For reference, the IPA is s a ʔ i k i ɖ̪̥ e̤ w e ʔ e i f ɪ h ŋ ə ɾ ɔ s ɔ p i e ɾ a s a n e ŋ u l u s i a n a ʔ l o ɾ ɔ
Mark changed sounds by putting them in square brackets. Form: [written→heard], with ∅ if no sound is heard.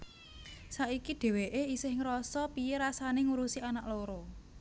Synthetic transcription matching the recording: s a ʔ i k i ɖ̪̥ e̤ w e ʔ e i [f→s] ɪ h ŋ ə ɾ ɔ s ɔ p i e ɾ a s a n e ŋ u [l→ɾ] u s i a n a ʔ l o ɾ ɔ